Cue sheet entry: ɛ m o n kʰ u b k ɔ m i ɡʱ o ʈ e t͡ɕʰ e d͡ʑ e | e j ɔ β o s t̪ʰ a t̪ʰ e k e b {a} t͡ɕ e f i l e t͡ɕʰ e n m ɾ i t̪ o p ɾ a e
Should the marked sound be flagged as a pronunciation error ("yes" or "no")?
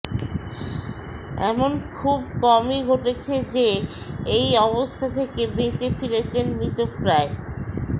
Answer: yes